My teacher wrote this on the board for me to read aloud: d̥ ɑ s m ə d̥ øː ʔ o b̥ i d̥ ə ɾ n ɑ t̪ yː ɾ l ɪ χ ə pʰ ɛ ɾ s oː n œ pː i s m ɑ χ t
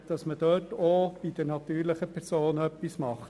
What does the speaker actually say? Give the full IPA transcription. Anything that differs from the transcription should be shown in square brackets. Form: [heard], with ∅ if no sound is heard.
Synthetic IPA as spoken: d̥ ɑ s m ə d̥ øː [t] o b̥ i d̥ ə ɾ n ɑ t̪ yː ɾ l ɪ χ ə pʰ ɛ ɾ s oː n œ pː i s m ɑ χ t